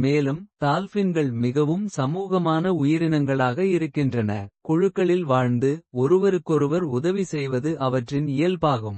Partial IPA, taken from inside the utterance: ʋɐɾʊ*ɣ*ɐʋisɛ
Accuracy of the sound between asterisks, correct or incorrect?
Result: incorrect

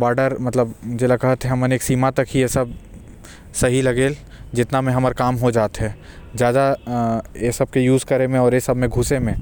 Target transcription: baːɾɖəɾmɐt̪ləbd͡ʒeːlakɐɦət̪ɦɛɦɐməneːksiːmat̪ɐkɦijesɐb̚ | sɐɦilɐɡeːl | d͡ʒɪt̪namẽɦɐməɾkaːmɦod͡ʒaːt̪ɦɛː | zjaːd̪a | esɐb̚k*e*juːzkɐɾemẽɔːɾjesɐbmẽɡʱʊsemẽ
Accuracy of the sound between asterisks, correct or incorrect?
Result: correct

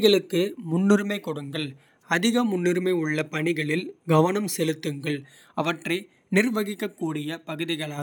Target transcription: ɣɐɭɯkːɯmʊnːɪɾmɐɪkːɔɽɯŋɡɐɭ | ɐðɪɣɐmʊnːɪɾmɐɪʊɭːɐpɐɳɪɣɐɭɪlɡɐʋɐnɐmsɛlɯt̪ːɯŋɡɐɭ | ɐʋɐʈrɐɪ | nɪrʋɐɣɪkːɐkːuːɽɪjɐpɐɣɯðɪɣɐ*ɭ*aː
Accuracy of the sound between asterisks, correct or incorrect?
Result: correct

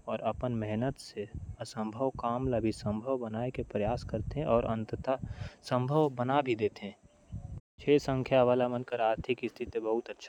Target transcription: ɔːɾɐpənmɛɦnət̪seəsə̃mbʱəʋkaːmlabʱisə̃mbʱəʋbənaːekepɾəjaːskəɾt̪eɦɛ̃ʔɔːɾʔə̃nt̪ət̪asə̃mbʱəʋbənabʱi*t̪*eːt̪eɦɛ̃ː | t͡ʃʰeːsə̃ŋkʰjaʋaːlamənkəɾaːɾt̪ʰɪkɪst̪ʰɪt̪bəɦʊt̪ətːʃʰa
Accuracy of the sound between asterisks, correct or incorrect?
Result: incorrect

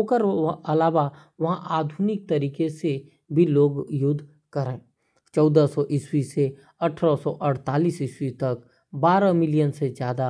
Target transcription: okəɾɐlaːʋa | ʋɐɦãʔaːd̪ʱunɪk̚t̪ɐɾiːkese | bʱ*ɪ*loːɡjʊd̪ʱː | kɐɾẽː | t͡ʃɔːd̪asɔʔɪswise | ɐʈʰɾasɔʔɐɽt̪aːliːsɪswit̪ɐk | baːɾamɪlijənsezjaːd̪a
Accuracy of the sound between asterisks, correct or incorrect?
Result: incorrect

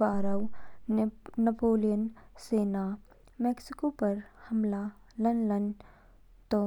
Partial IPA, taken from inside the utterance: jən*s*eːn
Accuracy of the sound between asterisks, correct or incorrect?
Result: correct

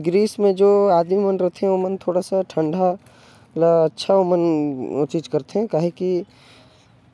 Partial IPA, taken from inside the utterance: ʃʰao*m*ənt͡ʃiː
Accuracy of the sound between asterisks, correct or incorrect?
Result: correct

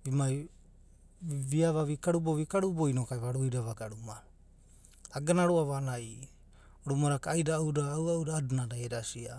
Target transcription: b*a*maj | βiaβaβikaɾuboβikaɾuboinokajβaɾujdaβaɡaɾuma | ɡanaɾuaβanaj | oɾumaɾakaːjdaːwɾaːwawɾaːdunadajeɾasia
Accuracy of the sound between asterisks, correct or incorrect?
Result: incorrect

